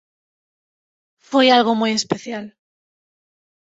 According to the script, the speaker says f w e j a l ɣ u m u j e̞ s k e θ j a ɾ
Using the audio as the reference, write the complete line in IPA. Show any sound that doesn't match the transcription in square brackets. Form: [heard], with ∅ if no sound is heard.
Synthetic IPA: f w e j a l ɣ [o] m u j e̞ s [p] e θ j a [l]